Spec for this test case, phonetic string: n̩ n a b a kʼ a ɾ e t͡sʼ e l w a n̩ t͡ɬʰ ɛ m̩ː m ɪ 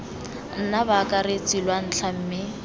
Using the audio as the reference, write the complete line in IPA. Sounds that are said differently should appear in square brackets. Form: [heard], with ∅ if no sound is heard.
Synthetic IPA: n̩ n a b a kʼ a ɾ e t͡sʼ [i] l w a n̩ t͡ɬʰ [a] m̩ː m ɪ